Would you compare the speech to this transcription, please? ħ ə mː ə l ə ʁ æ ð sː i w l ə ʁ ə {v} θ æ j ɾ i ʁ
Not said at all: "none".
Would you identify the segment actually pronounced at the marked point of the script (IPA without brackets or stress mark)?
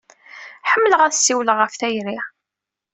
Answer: f